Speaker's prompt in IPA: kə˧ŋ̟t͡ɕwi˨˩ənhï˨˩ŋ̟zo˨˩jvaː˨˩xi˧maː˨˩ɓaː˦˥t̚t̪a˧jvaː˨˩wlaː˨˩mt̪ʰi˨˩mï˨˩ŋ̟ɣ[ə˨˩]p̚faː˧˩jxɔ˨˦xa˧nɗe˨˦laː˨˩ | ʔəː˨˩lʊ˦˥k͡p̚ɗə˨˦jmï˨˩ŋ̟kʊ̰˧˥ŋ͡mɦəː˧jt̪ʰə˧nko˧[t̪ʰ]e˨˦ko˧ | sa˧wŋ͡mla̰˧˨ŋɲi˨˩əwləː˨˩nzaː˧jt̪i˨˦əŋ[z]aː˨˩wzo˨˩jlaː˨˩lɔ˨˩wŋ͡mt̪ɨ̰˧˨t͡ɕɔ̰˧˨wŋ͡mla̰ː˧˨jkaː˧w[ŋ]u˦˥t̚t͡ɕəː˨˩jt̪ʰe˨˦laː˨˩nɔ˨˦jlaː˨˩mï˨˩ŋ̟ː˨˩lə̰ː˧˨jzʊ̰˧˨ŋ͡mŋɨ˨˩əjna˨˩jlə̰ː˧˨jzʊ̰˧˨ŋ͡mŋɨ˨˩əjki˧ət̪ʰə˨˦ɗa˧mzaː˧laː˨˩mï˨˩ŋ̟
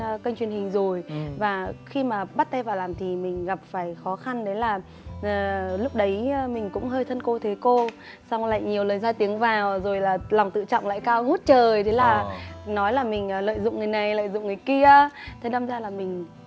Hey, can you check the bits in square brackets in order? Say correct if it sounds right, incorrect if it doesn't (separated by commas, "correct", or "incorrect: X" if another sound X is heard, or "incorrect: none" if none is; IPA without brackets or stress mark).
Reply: incorrect: a˨˩, correct, incorrect: v, correct